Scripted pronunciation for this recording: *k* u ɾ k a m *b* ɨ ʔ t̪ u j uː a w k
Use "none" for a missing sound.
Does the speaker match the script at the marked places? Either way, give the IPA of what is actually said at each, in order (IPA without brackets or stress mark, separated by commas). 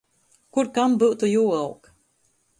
k, b